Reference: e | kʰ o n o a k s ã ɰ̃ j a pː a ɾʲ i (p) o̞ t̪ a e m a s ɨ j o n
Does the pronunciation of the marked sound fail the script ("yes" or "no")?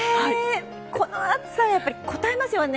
yes